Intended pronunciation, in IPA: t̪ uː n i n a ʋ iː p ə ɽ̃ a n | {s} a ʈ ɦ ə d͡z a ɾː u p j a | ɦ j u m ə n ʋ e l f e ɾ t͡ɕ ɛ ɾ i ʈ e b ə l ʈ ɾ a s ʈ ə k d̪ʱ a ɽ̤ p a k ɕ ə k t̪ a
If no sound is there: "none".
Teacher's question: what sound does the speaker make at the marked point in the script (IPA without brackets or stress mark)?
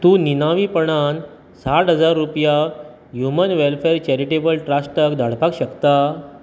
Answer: s